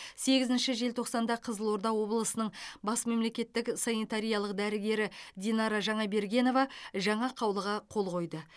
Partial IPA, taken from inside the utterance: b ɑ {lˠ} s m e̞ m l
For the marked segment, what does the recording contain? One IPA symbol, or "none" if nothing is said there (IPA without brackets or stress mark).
none